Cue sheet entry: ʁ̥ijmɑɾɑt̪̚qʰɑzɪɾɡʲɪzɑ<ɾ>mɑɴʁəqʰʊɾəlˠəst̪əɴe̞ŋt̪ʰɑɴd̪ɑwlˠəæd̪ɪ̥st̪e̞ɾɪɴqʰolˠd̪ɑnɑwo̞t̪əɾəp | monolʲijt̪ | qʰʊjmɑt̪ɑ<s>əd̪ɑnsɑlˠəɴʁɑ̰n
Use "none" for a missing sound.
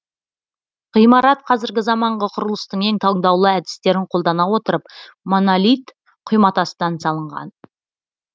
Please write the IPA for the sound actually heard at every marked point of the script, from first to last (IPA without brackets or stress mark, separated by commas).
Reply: none, s